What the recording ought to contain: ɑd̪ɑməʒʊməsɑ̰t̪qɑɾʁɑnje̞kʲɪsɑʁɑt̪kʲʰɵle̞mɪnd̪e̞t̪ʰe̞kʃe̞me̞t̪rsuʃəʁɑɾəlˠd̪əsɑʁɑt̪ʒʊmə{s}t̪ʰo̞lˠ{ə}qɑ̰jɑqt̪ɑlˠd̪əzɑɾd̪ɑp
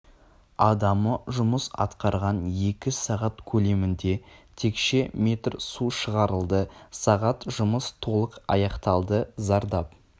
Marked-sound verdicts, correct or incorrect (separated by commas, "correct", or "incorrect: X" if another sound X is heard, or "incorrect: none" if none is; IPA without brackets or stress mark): correct, correct